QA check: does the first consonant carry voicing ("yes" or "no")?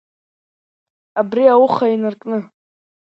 yes